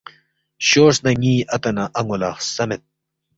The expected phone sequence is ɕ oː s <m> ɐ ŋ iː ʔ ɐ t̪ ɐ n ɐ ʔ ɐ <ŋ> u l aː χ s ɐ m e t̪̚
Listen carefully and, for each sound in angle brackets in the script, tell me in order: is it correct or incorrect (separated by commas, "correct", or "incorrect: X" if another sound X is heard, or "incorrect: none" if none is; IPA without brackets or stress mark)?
incorrect: n, correct